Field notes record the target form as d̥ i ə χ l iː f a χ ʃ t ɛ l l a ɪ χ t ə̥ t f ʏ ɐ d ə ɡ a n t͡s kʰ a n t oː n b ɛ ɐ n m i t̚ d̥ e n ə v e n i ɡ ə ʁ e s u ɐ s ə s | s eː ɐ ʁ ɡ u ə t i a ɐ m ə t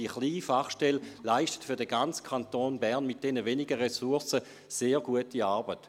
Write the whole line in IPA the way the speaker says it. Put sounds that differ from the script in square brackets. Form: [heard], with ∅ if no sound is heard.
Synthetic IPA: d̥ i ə χ l iː f a χ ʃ t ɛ l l a ɪ [ʃ] t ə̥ t f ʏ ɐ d ə ɡ a n t͡s kʰ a n t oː n b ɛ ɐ n m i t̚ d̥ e n ə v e n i ɡ ə ʁ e s u ɐ s ə [∅] | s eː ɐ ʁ ɡ u ə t i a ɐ [b] ə t